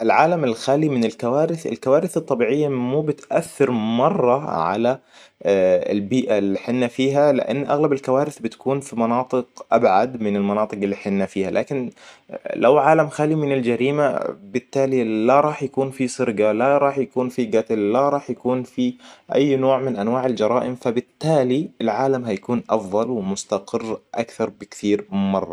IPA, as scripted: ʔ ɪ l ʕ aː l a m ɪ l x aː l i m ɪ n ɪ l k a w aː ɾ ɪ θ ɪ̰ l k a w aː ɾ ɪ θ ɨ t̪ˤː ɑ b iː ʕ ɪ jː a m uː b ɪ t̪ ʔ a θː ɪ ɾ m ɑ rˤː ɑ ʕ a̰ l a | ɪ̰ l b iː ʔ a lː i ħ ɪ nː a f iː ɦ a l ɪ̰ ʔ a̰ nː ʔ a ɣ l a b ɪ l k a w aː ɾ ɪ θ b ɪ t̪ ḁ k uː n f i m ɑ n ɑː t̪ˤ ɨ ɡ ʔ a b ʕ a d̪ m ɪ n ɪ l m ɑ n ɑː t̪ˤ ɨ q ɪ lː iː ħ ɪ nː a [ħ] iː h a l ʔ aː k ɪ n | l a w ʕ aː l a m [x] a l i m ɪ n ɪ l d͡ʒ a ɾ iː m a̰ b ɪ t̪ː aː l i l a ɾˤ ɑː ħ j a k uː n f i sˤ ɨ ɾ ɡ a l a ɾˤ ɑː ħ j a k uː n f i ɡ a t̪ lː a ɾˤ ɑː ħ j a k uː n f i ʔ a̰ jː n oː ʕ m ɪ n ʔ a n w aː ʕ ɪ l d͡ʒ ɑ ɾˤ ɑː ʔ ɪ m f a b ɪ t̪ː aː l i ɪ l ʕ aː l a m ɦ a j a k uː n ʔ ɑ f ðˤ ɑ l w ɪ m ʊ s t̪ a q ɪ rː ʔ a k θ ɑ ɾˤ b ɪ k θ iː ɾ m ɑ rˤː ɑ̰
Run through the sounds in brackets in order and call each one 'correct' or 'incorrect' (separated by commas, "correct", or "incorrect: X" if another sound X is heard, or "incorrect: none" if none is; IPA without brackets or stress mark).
incorrect: f, correct